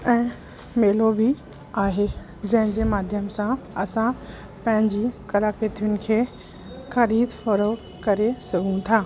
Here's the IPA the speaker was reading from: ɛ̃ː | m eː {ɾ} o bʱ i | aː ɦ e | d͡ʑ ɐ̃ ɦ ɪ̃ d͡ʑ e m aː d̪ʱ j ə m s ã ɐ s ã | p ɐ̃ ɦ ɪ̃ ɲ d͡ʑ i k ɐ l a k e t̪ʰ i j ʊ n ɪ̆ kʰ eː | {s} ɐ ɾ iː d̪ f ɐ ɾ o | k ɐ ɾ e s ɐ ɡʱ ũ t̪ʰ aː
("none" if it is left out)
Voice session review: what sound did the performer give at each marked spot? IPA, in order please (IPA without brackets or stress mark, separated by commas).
l, x